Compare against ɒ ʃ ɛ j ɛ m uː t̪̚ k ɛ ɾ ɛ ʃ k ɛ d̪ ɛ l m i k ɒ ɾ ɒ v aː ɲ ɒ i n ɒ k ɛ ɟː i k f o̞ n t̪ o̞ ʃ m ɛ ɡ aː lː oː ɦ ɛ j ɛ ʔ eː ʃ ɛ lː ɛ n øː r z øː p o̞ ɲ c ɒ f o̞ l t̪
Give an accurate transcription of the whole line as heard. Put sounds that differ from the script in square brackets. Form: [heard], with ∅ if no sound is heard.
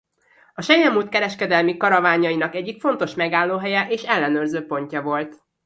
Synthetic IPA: ɒ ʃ ɛ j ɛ m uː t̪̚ k ɛ ɾ ɛ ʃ k ɛ d̪ ɛ l m i k ɒ ɾ ɒ v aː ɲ ɒ i n ɒ k ɛ ɟː i k f o̞ n t̪ o̞ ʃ m ɛ ɡ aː lː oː ɦ ɛ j ɛ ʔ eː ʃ ɛ lː ɛ n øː r z øː p o̞ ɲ c ɒ [v] o̞ l t̪